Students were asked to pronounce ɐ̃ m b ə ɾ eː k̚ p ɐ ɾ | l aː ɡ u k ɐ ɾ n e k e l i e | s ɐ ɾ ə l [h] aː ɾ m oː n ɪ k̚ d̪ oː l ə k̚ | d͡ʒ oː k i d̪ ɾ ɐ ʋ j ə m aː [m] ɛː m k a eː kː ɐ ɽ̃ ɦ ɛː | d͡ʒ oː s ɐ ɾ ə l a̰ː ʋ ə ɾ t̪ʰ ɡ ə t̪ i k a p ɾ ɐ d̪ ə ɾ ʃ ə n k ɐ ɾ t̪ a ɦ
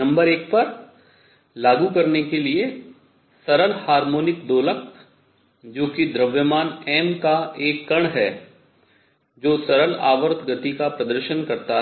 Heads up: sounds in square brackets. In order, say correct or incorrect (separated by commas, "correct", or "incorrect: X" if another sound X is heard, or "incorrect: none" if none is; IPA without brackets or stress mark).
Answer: correct, incorrect: n